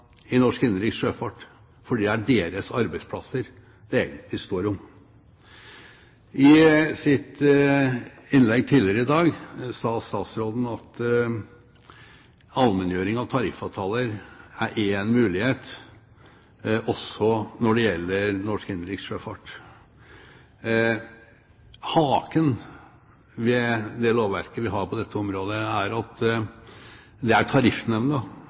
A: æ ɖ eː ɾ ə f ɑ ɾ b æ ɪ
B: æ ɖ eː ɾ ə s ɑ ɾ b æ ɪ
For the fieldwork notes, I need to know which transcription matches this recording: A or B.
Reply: B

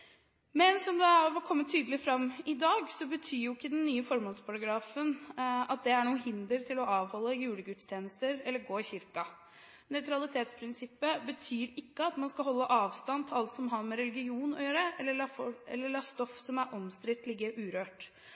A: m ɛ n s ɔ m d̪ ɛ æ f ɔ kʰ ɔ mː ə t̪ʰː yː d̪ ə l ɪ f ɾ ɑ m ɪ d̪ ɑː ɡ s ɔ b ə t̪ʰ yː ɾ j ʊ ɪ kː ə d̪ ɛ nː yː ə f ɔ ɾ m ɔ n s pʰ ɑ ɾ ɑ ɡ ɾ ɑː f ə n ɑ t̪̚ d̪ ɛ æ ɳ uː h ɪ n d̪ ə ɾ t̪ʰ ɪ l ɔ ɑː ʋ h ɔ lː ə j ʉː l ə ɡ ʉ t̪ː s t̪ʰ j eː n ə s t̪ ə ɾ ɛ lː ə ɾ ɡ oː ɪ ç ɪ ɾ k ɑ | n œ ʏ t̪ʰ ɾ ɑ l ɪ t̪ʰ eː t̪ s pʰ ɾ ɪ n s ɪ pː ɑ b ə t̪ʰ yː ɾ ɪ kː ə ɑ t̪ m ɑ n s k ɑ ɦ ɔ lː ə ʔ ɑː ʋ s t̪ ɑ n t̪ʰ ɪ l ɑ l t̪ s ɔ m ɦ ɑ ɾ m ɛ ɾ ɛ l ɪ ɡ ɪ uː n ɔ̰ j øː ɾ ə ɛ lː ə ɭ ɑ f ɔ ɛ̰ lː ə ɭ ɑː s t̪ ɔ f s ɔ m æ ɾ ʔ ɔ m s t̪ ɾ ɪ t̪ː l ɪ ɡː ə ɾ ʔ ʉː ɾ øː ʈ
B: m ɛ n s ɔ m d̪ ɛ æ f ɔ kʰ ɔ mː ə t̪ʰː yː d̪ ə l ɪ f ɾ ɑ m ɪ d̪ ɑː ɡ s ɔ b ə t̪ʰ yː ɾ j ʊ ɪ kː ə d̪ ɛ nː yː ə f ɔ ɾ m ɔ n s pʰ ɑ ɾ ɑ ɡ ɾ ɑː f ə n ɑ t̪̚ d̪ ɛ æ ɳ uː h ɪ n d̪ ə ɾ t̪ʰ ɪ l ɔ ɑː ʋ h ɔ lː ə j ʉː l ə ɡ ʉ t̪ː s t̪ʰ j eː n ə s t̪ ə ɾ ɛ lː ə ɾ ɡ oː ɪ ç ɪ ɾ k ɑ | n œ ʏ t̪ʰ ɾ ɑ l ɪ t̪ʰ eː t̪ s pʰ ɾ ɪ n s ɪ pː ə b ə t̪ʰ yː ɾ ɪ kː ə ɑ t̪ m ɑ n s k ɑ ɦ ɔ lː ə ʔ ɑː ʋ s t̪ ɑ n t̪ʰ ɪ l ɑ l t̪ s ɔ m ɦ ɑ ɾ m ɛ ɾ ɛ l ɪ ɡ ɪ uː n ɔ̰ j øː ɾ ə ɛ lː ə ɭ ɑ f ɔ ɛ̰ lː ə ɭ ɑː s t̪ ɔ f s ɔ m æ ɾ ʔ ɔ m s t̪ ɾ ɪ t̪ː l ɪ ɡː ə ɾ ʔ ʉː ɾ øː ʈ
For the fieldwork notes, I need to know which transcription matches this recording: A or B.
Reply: B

